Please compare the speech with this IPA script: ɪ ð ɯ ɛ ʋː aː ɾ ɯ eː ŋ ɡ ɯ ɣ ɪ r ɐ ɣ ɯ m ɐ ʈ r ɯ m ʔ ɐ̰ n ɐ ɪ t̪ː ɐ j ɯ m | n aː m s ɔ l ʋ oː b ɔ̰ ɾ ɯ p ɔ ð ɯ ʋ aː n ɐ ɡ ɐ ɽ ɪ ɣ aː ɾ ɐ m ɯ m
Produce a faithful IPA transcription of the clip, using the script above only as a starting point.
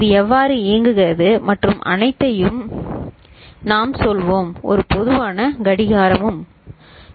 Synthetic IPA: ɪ ð ɯ ɛ ʋː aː ɾ ɯ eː ŋ ɡ ɯ ɣ ɪ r ɐ ð ɯ m ɐ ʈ r ɯ m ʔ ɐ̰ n ɐ ɪ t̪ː ɐ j ɯ m | n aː m s ɔ l ʋ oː m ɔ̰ ɾ ɯ p ɔ ð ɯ ʋ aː n ɐ ɡ ɐ ɽ ɪ ɣ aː ɾ ɐ m ɯ m